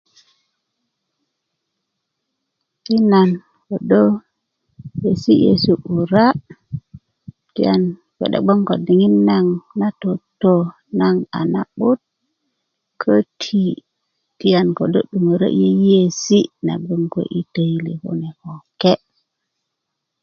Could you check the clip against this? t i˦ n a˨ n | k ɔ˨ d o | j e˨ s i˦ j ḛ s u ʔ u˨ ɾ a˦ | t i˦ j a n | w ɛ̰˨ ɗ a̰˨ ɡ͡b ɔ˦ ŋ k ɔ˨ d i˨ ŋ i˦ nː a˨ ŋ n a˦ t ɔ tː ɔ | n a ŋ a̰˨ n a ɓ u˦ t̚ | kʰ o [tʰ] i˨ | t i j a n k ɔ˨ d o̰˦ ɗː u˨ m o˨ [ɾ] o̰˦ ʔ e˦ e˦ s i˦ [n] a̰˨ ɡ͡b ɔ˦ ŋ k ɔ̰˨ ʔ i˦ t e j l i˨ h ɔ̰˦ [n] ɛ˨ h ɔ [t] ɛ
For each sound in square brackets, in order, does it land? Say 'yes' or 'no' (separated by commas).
yes, yes, yes, yes, no